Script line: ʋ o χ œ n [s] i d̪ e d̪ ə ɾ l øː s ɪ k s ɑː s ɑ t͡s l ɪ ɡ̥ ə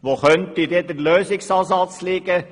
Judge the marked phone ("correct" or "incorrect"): incorrect